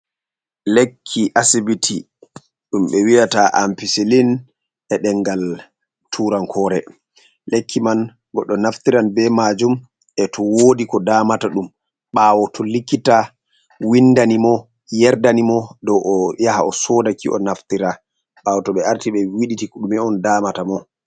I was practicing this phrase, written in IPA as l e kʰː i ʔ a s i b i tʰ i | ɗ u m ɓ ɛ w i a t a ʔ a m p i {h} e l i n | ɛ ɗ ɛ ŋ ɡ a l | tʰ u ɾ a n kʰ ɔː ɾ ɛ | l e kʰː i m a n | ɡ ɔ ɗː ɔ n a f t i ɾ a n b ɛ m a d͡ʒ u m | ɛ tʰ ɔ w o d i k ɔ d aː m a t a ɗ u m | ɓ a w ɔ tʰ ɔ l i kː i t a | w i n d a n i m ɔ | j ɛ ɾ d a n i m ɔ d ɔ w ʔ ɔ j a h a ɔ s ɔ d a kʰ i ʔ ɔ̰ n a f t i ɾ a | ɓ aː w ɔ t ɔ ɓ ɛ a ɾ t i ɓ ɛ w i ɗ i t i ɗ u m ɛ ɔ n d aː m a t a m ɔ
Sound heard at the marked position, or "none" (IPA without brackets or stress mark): s